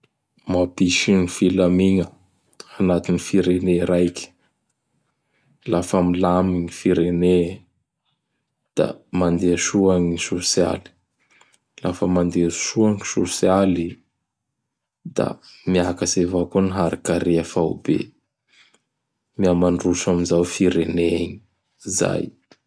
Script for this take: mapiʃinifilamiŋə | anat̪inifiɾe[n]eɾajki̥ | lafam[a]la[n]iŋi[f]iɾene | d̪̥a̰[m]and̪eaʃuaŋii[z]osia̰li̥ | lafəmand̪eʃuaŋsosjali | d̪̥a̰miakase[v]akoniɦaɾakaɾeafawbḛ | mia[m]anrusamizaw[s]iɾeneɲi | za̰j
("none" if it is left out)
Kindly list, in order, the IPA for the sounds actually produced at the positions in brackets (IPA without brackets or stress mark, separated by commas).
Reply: n, i, m, f, m, s, v, m, f